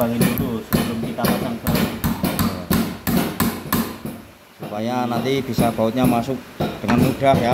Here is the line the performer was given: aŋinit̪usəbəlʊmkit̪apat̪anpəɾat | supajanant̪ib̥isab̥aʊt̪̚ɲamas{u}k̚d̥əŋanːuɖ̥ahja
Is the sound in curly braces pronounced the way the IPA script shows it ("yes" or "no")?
no